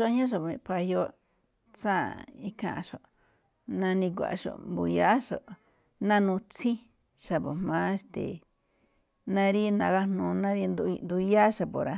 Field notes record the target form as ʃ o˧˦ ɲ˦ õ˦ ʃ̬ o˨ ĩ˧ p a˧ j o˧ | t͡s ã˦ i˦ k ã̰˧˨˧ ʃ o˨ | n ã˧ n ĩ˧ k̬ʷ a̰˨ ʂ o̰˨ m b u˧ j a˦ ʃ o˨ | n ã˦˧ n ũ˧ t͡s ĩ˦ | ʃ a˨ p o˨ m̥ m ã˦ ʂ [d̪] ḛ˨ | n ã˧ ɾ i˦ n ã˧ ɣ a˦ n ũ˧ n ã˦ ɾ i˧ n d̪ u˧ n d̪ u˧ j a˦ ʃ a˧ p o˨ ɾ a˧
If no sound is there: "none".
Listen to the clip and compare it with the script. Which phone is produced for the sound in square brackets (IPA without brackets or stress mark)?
t̪